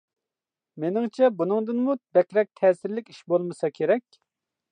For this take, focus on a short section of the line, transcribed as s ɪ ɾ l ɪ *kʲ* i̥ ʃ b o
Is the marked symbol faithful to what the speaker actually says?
yes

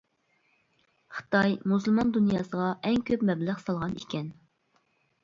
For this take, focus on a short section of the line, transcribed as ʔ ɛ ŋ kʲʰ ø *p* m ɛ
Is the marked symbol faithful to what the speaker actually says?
yes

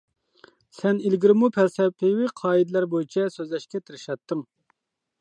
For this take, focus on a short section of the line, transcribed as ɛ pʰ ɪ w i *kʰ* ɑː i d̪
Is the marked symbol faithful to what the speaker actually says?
no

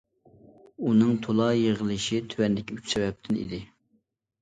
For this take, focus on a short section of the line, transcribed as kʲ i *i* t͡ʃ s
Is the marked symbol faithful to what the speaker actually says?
no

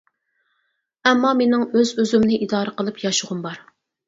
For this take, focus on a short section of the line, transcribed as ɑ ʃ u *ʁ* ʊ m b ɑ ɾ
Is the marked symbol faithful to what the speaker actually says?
yes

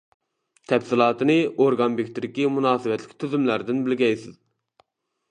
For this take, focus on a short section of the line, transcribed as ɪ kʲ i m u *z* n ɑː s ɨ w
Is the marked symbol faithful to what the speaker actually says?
no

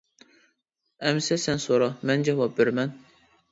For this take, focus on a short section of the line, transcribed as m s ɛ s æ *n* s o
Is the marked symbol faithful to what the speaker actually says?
yes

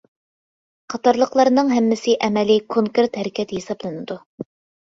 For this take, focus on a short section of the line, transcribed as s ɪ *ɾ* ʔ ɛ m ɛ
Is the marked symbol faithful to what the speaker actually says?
no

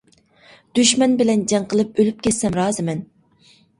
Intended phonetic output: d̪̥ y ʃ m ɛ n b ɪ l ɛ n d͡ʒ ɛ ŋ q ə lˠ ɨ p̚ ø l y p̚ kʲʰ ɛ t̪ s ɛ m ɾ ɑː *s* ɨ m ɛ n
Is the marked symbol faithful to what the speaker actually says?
no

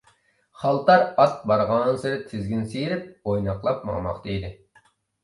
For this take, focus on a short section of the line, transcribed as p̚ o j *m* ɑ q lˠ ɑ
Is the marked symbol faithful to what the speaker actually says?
no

